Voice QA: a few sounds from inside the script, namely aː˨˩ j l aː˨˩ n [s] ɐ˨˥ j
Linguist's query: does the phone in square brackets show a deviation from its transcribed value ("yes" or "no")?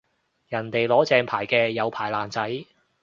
yes